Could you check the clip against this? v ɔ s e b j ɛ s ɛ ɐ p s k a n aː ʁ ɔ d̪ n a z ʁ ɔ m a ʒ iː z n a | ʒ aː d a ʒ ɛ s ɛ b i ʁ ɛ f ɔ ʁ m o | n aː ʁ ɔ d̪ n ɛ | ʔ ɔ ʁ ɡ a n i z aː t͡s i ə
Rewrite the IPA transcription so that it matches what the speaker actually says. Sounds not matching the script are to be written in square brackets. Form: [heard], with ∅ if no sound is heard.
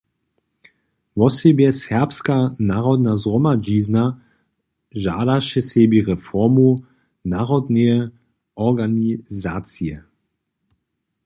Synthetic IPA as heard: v ɔ s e b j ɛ s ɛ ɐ p s k a n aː ʁ ɔ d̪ n a z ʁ ɔ m a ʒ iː z n a | ʒ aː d a [ʃ] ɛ s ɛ b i ʁ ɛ f ɔ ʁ m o | n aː ʁ ɔ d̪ n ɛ | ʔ ɔ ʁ ɡ a n i z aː t͡s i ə